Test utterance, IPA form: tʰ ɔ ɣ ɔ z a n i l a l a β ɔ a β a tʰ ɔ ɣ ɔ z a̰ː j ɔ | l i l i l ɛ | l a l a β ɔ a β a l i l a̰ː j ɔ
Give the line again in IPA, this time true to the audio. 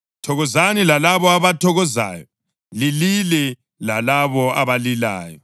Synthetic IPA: tʰ ɔ ɣ ɔ z a n i l a l a β ɔ a β a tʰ ɔ ɣ ɔ z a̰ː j ɔ | l i l i l ɛ | l a l a β ɔ a β a l i l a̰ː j ɔ